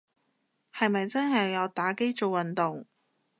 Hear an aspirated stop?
no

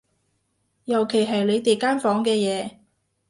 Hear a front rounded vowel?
no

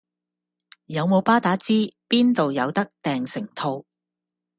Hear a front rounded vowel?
no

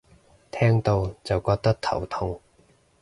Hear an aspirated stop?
yes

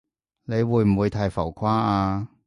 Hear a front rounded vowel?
no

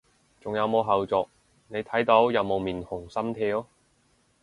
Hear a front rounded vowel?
no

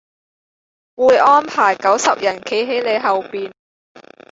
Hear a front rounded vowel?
no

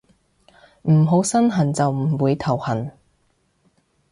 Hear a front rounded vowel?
no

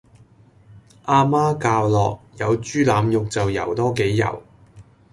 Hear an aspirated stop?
no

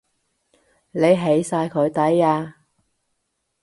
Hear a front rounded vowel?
no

